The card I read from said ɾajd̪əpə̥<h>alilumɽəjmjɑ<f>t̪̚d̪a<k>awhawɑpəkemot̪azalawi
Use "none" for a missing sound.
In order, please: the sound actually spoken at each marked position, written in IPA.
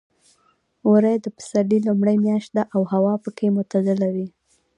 s, ʃ, ʔ

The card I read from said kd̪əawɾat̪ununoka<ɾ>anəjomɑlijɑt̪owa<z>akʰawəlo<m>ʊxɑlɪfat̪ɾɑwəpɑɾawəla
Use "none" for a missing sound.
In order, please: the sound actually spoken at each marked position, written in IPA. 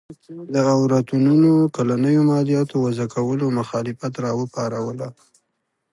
l, z, m

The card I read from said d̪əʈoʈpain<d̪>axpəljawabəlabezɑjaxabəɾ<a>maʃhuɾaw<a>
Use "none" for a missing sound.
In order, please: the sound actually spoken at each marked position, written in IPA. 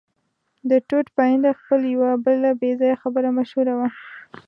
d̪, a, a

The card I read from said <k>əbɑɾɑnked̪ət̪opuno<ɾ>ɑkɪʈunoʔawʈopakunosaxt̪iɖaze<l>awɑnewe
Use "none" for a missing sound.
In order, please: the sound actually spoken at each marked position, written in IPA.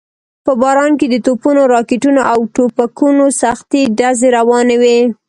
p, ɾ, ɾ

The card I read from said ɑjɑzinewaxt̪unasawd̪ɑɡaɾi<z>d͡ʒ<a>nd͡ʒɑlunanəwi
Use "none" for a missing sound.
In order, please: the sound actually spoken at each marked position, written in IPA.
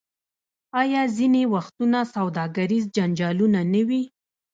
z, a

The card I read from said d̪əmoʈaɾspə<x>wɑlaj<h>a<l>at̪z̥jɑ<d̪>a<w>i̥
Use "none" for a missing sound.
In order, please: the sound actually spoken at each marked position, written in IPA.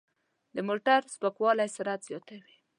k, s, ɾ, t̪, w

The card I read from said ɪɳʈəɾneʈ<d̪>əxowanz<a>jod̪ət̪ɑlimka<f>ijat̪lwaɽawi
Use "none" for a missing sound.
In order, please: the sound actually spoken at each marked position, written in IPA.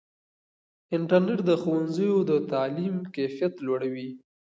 d̪, ə, f

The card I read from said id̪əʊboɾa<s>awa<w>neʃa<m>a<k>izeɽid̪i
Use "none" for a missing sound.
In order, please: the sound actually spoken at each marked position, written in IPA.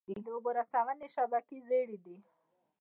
s, none, b, k

